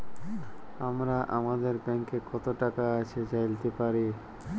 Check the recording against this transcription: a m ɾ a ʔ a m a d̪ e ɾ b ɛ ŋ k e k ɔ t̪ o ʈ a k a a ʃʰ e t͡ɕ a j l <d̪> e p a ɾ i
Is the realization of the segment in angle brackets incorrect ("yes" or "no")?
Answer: yes